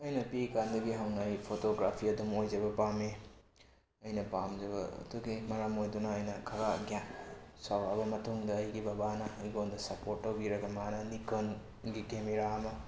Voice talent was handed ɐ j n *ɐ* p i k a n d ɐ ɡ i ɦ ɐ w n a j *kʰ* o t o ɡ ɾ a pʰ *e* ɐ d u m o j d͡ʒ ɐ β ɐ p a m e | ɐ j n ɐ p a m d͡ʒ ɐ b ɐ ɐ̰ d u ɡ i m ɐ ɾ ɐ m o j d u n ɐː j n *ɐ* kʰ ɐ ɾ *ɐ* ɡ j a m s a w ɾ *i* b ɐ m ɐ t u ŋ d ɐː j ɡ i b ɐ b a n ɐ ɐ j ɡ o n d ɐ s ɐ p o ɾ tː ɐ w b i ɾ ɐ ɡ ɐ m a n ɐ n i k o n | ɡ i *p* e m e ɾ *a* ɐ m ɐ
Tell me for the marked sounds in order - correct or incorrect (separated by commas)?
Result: correct, incorrect, incorrect, correct, incorrect, incorrect, incorrect, correct